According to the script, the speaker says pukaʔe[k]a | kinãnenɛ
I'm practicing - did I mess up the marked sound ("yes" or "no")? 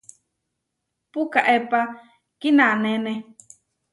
yes